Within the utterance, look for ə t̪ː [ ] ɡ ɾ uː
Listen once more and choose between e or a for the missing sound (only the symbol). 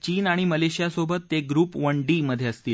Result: e